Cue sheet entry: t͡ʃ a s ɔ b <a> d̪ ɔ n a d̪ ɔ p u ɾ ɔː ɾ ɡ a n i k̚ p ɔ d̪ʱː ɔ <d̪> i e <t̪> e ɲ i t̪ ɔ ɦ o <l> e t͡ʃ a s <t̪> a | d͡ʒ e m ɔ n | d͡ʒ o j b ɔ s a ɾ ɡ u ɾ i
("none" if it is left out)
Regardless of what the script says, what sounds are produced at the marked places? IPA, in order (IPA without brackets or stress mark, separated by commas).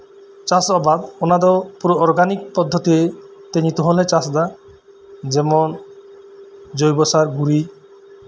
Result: a, t̪, t̪, l, d̪